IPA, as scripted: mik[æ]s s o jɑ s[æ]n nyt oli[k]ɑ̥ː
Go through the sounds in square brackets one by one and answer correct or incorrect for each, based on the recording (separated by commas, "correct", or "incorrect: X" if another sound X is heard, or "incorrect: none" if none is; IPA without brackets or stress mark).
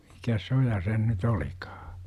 correct, incorrect: e, correct